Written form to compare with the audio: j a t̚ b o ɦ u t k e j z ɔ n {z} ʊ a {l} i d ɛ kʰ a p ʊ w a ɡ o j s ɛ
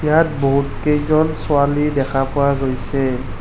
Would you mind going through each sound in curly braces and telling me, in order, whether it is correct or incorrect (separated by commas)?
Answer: incorrect, correct